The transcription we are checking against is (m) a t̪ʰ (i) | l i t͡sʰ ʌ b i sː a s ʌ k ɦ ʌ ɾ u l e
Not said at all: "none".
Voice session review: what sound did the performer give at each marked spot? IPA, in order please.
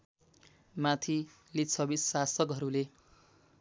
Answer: m, i

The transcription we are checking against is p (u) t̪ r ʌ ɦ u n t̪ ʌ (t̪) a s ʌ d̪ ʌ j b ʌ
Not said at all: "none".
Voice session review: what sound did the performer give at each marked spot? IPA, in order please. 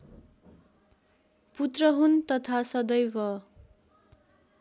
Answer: u, t̪ʰ

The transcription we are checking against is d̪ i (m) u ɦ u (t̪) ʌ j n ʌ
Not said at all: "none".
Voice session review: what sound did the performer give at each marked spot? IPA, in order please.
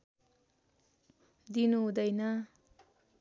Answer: n, d̪

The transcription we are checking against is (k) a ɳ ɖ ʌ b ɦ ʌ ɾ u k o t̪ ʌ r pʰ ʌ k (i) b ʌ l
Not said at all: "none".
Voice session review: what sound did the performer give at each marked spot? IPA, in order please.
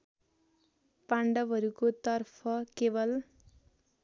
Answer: p, e

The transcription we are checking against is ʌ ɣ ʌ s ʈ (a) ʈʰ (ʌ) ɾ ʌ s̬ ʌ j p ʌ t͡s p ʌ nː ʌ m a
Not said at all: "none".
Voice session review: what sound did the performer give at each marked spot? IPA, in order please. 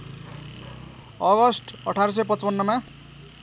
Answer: ʌ, a

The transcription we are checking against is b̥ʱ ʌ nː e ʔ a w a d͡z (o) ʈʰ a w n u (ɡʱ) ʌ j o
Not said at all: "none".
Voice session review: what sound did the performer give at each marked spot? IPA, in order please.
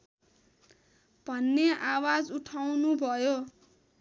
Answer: u, bʱ

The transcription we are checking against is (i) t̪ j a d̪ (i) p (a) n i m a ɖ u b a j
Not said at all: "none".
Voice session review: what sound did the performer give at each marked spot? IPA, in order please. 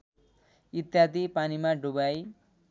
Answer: i, i, a

